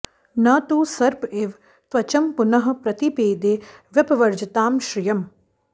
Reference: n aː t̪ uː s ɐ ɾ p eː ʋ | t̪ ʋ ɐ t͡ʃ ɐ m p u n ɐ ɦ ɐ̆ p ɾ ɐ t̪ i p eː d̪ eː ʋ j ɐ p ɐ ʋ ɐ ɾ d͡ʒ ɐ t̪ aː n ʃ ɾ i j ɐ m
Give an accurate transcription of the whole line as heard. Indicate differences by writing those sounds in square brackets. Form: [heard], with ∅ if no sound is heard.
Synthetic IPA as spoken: n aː t̪ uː s ɐ ɾ p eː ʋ | t̪ ʋ ɐ t͡ʃ ɐ m p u n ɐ ɦ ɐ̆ p ɾ ɐ t̪ i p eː d̪ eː ʋ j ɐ p ɐ ʋ ɐ ɾ d͡ʒ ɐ t̪ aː [m] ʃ ɾ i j ɐ m